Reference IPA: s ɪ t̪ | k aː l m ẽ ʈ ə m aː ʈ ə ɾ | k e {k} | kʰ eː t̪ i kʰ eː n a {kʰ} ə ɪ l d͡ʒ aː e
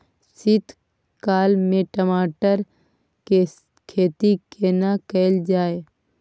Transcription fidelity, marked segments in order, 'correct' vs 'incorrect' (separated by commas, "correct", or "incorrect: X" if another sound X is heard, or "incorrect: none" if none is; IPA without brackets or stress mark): incorrect: none, incorrect: k